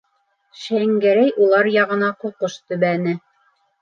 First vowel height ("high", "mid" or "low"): low